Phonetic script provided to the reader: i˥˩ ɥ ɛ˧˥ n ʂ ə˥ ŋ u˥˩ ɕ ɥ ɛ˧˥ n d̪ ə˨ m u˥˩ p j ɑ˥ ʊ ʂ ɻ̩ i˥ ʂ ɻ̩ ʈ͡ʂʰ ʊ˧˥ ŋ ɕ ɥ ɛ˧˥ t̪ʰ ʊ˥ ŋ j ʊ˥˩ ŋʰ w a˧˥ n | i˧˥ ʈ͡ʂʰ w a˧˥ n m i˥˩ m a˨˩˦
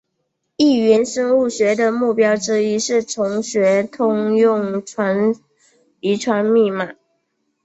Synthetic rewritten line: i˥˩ ɥ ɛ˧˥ n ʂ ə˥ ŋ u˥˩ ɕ ɥ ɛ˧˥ d̪ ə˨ m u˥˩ p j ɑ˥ ʊ ʈ͡ʂ ɻ̩ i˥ ʂ ɻ̩ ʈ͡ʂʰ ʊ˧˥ ŋ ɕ ɥ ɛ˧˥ t̪ʰ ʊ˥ ŋ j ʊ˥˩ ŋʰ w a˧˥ n | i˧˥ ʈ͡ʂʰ w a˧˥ n m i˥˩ m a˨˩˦